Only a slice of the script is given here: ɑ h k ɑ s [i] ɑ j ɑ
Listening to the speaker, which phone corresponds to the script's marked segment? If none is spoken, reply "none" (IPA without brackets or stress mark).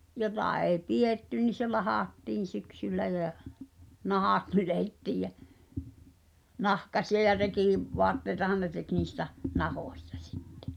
i